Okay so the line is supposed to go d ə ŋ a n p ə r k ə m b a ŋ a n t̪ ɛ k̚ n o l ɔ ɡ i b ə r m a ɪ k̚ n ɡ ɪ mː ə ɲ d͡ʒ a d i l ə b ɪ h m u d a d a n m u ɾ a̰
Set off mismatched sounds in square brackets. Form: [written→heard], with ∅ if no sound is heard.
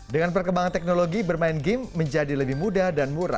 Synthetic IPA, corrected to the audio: d ə ŋ a n p ə r k ə m b a ŋ a n t̪ ɛ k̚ n o l [ɔ→o] ɡ i b ə r m a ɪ [k̚→∅] n ɡ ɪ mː ə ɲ d͡ʒ a d i l ə b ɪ h m u d a d a n m u ɾ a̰